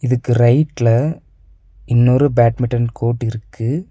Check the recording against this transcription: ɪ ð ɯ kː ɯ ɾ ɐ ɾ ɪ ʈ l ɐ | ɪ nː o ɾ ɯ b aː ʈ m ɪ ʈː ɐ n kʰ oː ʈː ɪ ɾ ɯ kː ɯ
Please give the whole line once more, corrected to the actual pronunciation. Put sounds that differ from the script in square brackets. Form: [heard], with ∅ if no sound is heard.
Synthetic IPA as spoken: ɪ ð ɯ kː ɯ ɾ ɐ [∅] ɪ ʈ l ɐ | ɪ nː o ɾ ɯ b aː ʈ m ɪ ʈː ɐ n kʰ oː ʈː ɪ ɾ ɯ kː ɯ